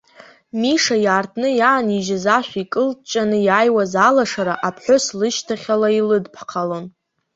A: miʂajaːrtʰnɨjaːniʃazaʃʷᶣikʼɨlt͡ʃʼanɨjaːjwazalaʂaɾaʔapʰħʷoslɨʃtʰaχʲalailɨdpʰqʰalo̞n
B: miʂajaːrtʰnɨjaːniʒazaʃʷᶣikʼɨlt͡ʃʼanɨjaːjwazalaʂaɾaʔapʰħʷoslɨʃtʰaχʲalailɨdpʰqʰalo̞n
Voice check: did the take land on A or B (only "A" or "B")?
B